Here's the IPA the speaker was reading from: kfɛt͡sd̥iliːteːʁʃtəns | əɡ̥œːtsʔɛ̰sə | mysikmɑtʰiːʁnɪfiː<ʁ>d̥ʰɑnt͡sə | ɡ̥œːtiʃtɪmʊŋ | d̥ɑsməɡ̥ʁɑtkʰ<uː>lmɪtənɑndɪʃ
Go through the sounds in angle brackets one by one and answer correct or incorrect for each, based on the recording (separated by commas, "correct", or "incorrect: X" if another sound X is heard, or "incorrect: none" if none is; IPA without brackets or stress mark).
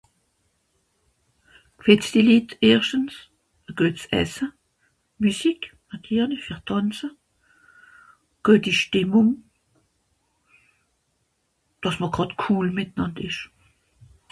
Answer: correct, correct